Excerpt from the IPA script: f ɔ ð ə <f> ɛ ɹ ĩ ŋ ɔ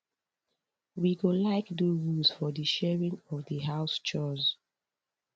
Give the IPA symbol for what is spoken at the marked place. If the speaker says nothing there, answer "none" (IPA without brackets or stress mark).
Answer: ʃ